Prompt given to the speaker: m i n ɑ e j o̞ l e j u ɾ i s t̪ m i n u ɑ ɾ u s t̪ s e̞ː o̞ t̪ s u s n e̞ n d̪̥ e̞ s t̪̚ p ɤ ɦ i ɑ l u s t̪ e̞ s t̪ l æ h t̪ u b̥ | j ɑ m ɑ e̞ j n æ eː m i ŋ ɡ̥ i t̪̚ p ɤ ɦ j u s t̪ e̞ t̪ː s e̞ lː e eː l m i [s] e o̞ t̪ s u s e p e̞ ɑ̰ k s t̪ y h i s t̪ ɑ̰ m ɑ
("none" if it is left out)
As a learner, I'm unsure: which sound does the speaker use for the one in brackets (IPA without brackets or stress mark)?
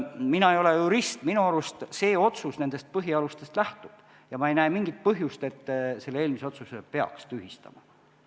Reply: s